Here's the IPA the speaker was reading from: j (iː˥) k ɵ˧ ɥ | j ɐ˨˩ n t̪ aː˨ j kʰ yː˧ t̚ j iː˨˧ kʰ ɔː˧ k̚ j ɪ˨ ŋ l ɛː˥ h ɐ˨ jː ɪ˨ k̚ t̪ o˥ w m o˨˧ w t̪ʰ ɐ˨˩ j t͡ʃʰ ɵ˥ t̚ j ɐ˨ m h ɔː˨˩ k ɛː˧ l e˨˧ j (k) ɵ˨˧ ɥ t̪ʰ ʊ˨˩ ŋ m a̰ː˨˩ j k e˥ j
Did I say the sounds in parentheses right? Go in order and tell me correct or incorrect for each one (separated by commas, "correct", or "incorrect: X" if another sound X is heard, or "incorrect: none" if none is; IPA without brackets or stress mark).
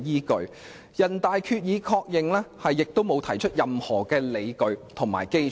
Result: correct, correct